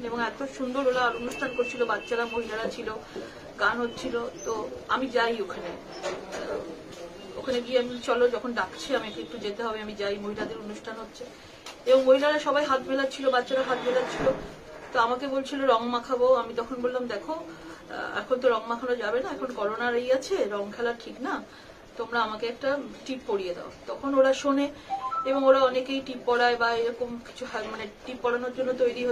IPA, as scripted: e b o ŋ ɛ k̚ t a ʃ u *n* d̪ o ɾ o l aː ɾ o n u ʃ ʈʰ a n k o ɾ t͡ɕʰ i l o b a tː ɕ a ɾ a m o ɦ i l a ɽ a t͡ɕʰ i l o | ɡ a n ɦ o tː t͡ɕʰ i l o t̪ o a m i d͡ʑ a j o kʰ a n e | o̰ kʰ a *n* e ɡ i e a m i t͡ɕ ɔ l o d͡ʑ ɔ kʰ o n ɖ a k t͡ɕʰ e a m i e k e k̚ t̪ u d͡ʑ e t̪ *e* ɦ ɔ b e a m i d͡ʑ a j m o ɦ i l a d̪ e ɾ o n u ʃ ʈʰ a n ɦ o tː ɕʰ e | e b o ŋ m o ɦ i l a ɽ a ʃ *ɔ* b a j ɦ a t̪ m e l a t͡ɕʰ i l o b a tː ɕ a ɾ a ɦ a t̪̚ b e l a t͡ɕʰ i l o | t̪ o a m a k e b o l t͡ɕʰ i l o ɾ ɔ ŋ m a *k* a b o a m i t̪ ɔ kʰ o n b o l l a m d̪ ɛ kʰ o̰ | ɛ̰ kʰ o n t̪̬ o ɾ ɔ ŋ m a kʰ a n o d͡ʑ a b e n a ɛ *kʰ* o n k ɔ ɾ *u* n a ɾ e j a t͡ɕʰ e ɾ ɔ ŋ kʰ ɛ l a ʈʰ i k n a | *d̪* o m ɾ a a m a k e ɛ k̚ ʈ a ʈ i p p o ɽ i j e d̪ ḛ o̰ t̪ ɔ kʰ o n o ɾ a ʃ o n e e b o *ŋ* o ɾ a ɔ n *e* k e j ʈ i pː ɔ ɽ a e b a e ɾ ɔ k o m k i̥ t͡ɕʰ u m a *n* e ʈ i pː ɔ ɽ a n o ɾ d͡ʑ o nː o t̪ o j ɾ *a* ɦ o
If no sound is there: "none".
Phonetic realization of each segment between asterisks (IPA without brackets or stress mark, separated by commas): n, n, e, ɔ, kʰ, kʰ, o, t̪, ŋ, e, n, i